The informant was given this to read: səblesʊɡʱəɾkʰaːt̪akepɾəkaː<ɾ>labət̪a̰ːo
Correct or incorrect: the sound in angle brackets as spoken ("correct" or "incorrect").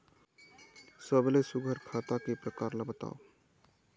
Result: correct